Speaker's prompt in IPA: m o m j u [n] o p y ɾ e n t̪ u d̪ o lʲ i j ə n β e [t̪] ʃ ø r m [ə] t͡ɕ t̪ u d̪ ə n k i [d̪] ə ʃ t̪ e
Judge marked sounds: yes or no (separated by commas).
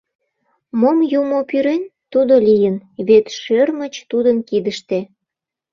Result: no, yes, yes, yes